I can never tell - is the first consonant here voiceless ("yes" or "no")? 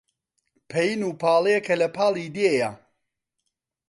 yes